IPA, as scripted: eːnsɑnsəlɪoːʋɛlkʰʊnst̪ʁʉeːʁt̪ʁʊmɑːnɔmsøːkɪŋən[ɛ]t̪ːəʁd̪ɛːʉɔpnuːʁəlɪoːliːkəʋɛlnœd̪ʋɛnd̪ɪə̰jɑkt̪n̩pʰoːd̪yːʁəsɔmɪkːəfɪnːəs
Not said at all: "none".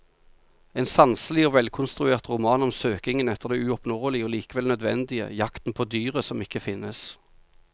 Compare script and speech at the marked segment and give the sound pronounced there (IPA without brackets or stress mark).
ɛ